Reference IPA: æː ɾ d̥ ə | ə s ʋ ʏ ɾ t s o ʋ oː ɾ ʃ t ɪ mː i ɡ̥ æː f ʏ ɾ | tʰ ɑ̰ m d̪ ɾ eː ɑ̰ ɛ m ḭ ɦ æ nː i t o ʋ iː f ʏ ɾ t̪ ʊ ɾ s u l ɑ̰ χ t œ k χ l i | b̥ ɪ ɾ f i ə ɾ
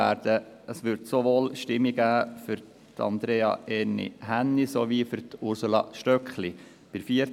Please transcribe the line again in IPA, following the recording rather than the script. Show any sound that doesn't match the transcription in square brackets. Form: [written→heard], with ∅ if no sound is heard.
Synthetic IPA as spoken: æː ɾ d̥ ə | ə s ʋ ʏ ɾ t s o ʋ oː [ɾ→l] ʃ t ɪ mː i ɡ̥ æː f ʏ ɾ | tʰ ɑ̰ [m→n] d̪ ɾ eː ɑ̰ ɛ [m→n] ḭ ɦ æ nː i [t→s] o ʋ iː f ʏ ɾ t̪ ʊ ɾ s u l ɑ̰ [χ→ʃ] t œ k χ l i | b̥ ɪ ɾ f i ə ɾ